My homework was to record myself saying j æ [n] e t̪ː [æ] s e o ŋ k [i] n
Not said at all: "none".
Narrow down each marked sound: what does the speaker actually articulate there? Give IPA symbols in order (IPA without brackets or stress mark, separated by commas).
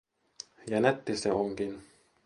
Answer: n, i, i